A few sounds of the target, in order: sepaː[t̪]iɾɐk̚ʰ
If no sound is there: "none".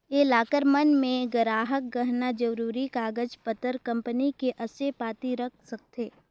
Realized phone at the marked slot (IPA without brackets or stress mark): t̪